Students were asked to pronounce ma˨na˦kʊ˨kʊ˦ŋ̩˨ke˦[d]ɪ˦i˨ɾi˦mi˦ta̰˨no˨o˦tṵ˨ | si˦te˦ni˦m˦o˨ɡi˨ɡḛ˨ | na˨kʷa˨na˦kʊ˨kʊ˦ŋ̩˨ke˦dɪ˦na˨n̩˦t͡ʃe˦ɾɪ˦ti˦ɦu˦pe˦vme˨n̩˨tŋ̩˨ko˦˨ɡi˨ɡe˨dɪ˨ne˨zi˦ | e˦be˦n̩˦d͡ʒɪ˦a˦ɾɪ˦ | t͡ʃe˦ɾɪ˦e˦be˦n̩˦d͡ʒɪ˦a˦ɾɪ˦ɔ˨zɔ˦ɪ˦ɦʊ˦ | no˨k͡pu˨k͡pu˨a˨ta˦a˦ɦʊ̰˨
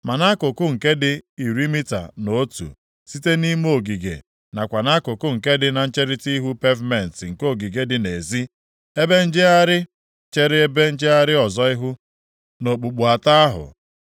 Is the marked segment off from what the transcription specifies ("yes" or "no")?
no